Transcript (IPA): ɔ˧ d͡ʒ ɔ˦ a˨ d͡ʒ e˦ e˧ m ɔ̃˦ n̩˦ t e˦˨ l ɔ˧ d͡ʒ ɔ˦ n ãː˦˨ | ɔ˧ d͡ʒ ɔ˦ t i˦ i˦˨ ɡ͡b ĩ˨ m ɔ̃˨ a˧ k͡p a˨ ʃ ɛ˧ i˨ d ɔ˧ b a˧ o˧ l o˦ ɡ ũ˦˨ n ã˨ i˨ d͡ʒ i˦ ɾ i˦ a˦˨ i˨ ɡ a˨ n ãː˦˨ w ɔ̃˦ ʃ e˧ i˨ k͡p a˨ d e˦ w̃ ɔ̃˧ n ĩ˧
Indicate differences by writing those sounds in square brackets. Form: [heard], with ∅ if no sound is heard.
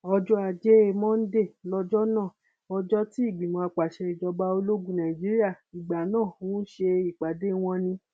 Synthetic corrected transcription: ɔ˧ d͡ʒ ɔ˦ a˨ d͡ʒ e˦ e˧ m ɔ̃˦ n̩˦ [d] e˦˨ l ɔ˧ d͡ʒ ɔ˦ n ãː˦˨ | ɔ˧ d͡ʒ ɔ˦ t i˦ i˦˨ ɡ͡b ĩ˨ m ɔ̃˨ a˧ k͡p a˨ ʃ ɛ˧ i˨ [d͡ʒ] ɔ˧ b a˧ o˧ l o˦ ɡ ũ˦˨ n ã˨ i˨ d͡ʒ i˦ ɾ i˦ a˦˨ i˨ [ɡ͡b] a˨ n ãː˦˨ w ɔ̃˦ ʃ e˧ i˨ k͡p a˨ d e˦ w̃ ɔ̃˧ n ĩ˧